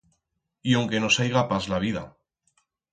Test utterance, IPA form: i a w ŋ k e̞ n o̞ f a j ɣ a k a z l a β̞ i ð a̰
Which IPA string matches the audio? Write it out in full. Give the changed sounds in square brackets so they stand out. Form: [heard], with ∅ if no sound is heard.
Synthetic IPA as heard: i a w ŋ k e̞ n o̞ [s] a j ɣ a [p] a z l a β̞ i ð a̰